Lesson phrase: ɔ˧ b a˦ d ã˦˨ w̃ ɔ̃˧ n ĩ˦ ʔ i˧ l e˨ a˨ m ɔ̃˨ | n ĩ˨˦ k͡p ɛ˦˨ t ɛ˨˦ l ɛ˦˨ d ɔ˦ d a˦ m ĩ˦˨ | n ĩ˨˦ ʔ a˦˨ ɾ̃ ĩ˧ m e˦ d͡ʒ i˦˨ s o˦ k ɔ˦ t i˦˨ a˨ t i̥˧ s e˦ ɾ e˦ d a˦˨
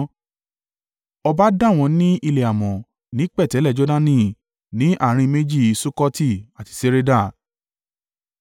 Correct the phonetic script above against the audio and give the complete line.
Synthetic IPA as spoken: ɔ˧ b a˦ d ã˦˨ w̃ ɔ̃˧ n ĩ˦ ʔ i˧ l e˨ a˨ m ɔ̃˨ | n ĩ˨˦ k͡p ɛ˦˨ t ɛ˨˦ l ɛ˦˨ d͡ʒ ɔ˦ d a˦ n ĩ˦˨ | n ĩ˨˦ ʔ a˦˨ ɾ̃ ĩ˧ m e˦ d͡ʒ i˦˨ s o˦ k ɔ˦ t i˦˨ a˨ t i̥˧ s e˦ ɾ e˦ d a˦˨

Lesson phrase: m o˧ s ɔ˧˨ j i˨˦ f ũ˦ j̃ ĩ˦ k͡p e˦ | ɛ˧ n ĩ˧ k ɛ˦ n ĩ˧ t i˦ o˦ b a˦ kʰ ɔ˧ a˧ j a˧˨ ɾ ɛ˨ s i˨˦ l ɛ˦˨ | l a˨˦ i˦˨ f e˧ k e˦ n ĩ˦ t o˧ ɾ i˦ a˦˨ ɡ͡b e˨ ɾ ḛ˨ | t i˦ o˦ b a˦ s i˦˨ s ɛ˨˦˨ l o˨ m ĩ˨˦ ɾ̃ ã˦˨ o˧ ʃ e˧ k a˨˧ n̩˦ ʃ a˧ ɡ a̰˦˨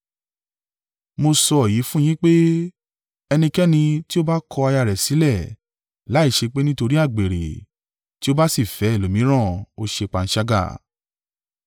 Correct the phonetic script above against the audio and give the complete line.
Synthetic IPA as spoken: m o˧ s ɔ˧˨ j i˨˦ f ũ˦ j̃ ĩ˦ k͡p e˦ | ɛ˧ n ĩ˧ k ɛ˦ n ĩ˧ t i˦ o˦ b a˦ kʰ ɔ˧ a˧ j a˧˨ ɾ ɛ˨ s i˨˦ l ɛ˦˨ | l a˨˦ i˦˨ ʃ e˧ k͡p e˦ n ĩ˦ t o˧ ɾ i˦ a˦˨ ɡ͡b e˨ ɾ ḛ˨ | t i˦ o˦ b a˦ s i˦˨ f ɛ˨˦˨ l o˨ m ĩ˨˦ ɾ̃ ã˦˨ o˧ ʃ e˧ k͡p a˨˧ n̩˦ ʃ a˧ ɡ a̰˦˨

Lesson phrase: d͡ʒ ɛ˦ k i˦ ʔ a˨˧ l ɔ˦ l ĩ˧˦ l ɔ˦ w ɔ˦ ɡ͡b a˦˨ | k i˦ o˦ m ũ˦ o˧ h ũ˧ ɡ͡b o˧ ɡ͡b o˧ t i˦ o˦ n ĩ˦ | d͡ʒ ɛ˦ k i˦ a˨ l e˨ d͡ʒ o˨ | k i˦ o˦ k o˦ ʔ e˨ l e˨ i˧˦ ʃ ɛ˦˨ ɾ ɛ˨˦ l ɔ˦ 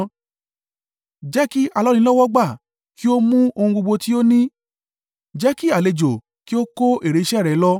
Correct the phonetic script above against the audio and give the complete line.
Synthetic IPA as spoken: d͡ʒ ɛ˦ k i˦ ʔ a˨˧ l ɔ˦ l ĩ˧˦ l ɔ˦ w ɔ˦ ɡ͡b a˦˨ | k i˦ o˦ m ũ˦ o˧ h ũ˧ ɡ͡b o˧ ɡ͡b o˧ t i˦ o˦ n ĩ˦ | d͡ʒ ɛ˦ k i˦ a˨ l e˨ d͡ʒ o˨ | k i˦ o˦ k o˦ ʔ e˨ ɾ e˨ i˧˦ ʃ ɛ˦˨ ɾ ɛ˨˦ l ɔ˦

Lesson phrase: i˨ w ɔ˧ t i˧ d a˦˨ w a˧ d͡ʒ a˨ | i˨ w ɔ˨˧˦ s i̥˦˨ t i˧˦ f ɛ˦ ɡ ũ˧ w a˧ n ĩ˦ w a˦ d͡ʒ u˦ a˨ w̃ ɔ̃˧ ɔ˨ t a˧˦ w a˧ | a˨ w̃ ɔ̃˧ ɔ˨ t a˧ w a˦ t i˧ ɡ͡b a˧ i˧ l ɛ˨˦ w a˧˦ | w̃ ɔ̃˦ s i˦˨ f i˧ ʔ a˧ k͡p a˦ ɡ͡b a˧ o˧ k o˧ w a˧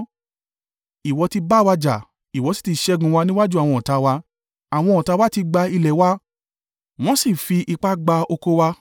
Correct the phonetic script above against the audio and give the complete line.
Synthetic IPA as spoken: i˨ w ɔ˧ t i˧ b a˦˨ w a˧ d͡ʒ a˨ | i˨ w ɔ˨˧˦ s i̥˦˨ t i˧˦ ʃ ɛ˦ ɡ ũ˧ w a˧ n ĩ˦ w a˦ d͡ʒ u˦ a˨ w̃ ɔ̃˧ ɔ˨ t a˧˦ w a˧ | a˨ w̃ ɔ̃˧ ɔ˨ t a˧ w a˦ t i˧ ɡ͡b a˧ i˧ l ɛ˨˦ w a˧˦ | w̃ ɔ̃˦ s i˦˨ f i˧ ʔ i˧ k͡p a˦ ɡ͡b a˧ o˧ k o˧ w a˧

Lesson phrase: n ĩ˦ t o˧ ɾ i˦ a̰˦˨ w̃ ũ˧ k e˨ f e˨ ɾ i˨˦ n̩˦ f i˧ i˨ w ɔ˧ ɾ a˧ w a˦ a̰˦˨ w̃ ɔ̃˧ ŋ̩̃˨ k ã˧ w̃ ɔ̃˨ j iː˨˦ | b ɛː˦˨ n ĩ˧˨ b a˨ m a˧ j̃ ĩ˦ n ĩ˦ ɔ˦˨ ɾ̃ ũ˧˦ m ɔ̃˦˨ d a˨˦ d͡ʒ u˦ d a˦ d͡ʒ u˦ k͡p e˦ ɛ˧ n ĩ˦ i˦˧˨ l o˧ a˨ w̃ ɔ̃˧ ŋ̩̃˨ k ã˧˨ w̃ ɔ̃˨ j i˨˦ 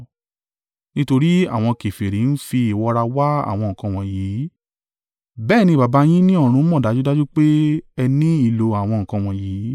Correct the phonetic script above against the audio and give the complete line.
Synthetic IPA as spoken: n ĩ˦ t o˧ ɾ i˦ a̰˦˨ w̃ ɔ̃˧ k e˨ f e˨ ɾ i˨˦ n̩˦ f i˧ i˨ w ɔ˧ ɾ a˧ w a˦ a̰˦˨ w̃ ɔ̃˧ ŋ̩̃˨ k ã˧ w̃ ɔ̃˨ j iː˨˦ | b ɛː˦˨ n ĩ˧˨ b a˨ b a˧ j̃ ĩ˦ n ĩ˦ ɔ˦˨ ɾ̃ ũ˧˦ m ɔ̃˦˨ d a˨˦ d͡ʒ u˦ d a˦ d͡ʒ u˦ k͡p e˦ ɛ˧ n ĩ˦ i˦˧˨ l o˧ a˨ w̃ ɔ̃˧ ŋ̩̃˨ k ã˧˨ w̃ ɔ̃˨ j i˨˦

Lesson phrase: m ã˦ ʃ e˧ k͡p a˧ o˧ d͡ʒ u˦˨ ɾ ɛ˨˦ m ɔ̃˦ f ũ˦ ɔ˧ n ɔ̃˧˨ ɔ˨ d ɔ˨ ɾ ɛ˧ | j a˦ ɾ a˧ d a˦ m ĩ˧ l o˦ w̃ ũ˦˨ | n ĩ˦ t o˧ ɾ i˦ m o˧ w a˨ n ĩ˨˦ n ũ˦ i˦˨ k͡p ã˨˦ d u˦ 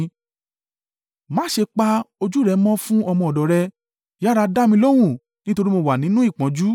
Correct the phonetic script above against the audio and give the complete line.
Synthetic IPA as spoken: m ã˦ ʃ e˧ k͡p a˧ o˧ d͡ʒ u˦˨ ɾ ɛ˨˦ m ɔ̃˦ f ũ˦ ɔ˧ m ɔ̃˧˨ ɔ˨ d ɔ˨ ɾ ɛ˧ | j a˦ ɾ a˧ d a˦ m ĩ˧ l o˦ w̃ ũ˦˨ | n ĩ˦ t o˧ ɾ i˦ m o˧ w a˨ n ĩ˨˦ n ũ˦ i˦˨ k͡p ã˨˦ d͡ʒ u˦

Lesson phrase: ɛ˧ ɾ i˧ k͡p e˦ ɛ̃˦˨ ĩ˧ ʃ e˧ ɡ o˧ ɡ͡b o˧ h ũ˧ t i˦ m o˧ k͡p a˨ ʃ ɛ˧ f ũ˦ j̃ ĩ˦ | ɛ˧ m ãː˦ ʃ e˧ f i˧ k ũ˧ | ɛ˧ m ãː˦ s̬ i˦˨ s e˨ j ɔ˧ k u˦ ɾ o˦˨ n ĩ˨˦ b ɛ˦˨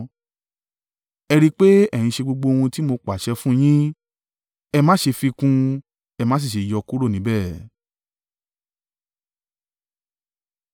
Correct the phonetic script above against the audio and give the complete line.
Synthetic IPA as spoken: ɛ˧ ɾ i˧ k͡p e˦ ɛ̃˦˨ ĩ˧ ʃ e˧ ɡ͡b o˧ ɡ͡b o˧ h ũ˧ t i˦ m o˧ k͡p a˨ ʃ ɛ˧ f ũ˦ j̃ ĩ˦ | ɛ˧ m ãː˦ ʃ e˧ f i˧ k ũ˧ | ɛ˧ m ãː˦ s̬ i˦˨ ʃ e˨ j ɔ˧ k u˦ ɾ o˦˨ n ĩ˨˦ b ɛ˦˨

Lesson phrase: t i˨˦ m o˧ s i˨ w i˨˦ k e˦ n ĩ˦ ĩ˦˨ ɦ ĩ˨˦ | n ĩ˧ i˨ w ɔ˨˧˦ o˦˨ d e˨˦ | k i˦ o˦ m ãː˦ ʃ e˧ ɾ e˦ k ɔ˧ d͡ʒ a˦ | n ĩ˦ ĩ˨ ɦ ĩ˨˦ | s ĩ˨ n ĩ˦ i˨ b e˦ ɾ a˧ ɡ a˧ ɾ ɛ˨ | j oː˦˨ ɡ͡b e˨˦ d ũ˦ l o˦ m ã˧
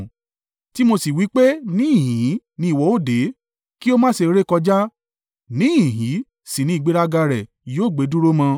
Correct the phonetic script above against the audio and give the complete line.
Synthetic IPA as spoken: t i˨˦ m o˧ s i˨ w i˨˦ k͡p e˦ n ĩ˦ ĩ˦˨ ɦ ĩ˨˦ | n ĩ˧ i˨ w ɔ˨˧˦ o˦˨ d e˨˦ | k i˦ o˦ m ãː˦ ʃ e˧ ɾ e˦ k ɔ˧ d͡ʒ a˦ | n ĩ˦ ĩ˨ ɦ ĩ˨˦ | s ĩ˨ n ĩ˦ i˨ ɡ͡b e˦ ɾ a˧ ɡ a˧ ɾ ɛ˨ | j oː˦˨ ɡ͡b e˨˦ d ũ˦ ɾ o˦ m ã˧

